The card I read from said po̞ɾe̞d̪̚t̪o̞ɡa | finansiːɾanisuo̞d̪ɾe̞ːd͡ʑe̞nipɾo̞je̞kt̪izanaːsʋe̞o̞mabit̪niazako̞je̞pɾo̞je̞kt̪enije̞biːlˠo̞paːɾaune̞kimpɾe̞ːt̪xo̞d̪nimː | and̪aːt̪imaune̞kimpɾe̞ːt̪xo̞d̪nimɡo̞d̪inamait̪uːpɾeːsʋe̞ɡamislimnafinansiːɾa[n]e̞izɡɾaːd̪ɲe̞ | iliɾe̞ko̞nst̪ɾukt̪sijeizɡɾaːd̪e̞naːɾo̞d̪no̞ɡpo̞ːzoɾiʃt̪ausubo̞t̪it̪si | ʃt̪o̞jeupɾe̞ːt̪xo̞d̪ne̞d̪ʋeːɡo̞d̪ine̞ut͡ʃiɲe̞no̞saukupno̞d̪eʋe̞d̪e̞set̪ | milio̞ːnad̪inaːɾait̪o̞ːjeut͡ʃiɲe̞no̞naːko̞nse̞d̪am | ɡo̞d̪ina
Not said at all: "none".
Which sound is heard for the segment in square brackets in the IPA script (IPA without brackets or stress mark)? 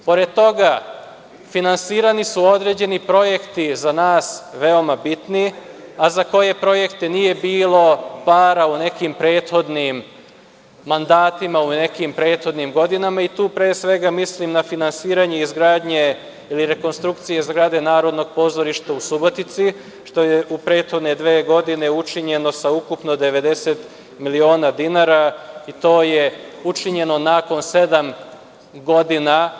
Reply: ɲ